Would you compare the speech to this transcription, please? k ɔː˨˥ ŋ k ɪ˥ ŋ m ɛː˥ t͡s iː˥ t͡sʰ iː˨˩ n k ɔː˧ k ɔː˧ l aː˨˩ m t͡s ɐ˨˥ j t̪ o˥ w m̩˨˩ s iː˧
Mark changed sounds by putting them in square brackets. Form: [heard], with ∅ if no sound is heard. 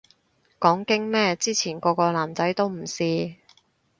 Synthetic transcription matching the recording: k ɔː˨˥ ŋ k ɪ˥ ŋ m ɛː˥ t͡s iː˥ t͡sʰ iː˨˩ n k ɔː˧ k ɔː˧ l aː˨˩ m t͡s ɐ˨˥ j t̪ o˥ w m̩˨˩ s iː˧